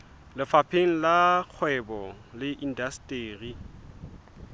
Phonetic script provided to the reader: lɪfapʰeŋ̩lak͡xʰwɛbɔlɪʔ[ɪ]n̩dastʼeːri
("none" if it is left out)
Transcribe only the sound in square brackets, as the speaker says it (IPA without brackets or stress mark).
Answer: i